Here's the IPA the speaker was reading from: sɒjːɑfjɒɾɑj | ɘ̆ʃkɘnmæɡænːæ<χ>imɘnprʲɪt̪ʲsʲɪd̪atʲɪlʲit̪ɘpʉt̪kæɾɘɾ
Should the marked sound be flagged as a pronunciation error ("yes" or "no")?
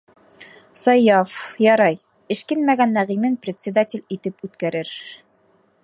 yes